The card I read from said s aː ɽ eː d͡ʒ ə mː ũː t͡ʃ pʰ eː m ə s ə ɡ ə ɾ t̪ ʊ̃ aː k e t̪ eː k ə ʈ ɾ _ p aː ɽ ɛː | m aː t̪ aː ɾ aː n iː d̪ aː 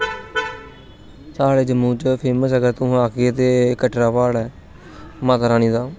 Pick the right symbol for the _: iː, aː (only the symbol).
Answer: aː